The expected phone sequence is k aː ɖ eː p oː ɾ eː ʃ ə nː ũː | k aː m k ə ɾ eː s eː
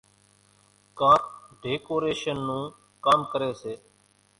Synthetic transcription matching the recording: k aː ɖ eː k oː ɾ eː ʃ ə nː ũː | k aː m k ə ɾ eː s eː